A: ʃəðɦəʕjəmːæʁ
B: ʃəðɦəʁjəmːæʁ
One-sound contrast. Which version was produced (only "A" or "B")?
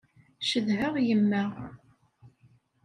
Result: B